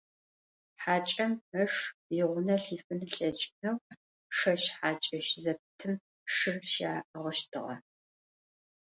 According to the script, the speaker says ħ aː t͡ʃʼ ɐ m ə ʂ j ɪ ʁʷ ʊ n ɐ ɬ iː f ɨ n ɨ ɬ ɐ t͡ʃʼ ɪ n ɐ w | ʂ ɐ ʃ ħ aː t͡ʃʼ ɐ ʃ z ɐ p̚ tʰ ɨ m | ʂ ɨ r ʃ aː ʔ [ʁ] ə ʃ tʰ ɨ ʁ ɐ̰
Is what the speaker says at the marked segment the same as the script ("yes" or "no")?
yes